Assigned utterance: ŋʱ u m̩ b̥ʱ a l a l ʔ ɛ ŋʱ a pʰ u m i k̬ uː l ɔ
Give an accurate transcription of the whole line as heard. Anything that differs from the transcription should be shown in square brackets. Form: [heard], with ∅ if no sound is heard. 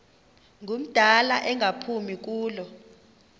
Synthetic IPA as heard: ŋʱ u m̩ [d̥ʱ] a l a [∅] ʔ ɛ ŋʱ a pʰ u m i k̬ uː l ɔ